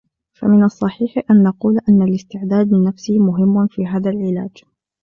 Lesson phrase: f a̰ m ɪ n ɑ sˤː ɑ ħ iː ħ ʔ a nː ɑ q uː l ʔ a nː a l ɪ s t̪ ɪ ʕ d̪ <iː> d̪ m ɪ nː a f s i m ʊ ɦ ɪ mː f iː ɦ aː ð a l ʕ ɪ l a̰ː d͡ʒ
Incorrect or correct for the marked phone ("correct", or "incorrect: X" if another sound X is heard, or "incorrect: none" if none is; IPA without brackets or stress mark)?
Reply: incorrect: aː